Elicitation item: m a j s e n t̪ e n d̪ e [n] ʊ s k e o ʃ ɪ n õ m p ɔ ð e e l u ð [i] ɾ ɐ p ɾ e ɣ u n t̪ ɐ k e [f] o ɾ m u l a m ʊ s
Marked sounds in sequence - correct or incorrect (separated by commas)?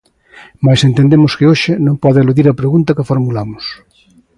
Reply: incorrect, correct, correct